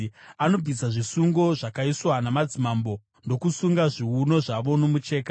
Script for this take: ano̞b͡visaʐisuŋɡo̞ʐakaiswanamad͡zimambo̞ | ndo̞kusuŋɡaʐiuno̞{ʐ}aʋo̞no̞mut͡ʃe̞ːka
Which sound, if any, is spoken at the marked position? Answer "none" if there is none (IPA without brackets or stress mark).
ʐ